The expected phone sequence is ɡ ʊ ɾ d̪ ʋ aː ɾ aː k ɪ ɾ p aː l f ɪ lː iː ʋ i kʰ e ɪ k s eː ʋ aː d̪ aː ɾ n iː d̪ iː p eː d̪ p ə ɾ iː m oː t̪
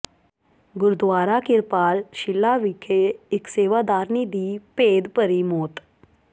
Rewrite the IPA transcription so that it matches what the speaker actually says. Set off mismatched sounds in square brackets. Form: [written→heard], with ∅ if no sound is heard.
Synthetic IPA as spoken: ɡ ʊ ɾ d̪ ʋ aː ɾ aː k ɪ ɾ p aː l [f→ʃ] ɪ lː [iː→aː] ʋ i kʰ e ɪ k s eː ʋ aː d̪ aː ɾ n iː d̪ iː p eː d̪ p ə ɾ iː m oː t̪